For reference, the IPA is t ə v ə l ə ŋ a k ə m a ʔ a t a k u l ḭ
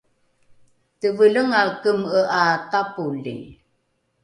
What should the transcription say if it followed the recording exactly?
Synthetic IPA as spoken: t ə v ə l ə ŋ a k ə m ə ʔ a t a p u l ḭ